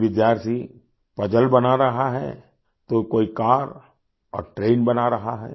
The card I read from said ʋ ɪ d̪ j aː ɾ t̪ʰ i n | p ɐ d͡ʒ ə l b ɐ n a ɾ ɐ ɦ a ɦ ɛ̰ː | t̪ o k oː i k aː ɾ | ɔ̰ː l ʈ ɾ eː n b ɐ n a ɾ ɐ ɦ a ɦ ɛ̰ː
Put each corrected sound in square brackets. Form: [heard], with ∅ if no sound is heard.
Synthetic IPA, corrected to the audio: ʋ ɪ d̪ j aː ɾ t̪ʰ i [∅] | p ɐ d͡ʒ ə l b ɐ n a ɾ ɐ ɦ a ɦ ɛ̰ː | t̪ o k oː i k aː ɾ | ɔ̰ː [ɾ] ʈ ɾ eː n b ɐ n a ɾ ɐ ɦ a ɦ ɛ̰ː

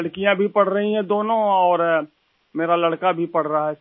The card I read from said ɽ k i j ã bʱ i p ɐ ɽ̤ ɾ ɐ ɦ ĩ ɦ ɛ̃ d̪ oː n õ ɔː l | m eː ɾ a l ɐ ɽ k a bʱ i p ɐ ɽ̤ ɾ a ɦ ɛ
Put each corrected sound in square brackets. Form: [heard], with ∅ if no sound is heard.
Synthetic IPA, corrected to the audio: ɽ k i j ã bʱ i p ɐ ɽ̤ ɾ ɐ ɦ ĩ ɦ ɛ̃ d̪ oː n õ ɔː [ɾ] | m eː ɾ a l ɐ ɽ k a bʱ i p ɐ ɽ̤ ɾ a ɦ ɛ

